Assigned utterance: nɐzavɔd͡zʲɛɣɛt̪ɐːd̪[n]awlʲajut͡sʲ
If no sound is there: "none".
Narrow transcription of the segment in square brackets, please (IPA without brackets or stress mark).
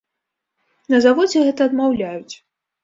m